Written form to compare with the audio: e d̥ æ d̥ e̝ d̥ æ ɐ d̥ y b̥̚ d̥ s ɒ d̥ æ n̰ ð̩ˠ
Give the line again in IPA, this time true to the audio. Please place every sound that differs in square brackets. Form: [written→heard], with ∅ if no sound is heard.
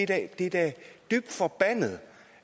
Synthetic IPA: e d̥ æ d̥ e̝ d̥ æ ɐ d̥ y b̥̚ d̥ [s→f] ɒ [d̥→b̥] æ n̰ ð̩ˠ